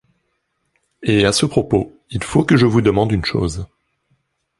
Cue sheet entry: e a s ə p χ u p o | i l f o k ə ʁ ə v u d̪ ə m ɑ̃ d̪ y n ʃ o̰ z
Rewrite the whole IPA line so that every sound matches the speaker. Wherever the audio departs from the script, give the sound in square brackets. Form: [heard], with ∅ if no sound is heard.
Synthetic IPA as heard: e a s ə p χ [ɔ] p o | i l f o k ə [ʒ] ə v u d̪ ə m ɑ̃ d̪ y n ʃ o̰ z